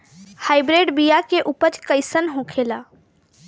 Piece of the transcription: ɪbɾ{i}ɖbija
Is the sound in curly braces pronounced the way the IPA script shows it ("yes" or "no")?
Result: no